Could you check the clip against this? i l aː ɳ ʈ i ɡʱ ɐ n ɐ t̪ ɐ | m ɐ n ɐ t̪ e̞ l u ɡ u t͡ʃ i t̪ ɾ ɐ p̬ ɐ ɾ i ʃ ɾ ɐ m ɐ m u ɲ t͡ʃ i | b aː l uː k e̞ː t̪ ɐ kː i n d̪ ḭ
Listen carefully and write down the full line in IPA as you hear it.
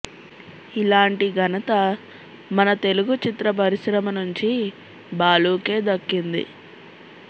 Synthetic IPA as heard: i l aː ɳ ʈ i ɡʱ ɐ n ɐ t̪ ɐ | m ɐ n ɐ t̪ e̞ l u ɡ u t͡ʃ i t̪ ɾ ɐ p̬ ɐ ɾ i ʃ ɾ ɐ m ɐ n u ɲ t͡ʃ i | b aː l uː k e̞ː d̪ ɐ kː i n d̪ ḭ